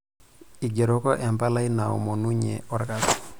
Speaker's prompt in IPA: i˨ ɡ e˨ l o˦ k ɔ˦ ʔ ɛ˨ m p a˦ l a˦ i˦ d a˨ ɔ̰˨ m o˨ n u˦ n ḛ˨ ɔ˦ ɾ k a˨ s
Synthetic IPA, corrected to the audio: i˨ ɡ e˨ ɾ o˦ k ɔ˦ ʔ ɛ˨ m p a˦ l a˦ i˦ n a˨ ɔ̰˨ m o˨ n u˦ ɲ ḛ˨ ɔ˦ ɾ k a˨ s